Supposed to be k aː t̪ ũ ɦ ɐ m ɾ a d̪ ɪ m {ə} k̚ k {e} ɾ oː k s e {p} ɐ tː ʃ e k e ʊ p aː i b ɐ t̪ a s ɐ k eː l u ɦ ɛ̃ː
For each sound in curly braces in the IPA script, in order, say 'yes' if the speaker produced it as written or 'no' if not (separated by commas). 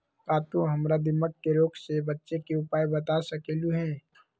yes, yes, no